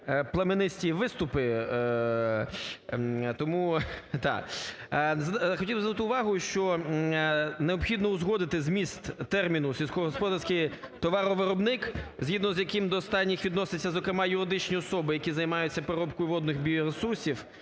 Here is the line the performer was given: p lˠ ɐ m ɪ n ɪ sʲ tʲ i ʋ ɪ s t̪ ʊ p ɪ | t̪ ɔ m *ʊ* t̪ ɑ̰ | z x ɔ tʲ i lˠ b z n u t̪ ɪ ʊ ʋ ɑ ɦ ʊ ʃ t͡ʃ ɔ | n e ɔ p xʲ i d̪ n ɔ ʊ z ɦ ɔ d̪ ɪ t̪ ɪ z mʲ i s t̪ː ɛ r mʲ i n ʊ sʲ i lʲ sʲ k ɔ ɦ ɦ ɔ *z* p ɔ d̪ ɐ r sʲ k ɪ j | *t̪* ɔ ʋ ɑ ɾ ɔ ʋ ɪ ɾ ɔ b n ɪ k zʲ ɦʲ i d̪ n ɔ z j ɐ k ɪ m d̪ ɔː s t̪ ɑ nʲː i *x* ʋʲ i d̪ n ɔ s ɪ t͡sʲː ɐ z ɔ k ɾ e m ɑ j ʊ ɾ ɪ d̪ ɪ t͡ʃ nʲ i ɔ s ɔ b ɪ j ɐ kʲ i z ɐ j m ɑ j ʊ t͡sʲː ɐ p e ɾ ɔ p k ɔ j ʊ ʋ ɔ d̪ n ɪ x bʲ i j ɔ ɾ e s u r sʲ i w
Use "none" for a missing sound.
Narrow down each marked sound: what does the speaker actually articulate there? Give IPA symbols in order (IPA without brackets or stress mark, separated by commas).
u, s, t̪, x